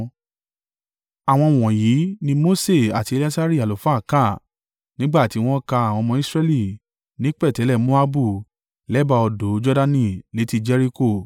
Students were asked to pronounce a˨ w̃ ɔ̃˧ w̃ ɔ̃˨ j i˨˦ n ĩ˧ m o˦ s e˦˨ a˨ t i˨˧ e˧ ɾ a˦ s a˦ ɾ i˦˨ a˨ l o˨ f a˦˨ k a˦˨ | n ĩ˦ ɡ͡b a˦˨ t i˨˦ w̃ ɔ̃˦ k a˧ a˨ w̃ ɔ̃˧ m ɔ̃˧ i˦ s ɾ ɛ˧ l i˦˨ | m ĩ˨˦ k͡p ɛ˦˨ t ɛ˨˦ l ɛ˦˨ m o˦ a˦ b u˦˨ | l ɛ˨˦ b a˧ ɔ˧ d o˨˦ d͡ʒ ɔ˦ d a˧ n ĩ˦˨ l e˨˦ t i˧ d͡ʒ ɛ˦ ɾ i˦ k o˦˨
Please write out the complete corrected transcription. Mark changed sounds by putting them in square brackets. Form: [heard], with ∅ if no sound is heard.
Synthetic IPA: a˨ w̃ ɔ̃˧ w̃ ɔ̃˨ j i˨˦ n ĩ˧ m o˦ s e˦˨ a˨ t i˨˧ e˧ [l] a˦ s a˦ ɾ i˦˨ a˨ l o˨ f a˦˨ k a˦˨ | n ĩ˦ ɡ͡b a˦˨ t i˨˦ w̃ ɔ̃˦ k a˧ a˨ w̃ ɔ̃˧ m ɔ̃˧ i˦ s ɾ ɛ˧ l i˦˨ | [n] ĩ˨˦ k͡p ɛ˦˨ t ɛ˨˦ l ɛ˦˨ m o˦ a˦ b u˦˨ | l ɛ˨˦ b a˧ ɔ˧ d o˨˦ d͡ʒ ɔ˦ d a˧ n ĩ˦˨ l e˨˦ t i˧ d͡ʒ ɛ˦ ɾ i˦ k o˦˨